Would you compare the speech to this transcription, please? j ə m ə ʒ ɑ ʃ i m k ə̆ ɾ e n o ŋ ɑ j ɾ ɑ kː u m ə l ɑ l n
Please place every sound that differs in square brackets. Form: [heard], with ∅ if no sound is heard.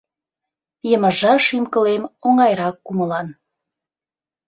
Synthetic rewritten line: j ə m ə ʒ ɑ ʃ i m k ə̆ [l] e [m] o ŋ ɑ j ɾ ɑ kː u m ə l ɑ [∅] n